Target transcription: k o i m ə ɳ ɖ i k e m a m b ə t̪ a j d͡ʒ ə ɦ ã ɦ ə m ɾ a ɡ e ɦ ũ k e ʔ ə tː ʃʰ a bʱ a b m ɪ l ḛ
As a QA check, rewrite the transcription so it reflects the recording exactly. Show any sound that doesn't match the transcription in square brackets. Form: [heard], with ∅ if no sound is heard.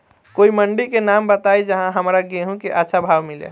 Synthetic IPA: k o i m ə ɳ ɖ i k e [n] a m b ə t̪ a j d͡ʒ ə ɦ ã ɦ ə m ɾ a ɡ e ɦ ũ k e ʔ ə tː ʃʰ a bʱ a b m [i] l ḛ